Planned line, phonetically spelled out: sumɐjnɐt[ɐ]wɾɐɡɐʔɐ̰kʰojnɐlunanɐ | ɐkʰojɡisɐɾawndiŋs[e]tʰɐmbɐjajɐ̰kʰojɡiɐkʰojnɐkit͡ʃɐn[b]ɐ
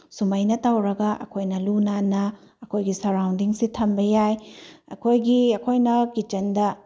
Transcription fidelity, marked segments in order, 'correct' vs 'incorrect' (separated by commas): incorrect, incorrect, incorrect